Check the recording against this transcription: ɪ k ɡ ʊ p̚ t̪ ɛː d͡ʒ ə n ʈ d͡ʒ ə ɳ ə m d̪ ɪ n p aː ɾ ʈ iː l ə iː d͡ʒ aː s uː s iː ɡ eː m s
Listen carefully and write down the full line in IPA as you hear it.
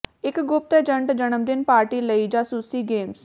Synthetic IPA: ɪ k ɡ ʊ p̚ t̪ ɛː d͡ʒ ə ɳ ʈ d͡ʒ ə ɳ ə m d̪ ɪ n p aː ɾ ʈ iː l ə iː d͡ʒ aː s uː s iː ɡ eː m s